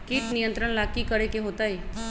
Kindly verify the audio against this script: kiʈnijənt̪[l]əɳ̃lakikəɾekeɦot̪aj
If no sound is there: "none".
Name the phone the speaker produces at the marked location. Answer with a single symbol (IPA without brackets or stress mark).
ɾ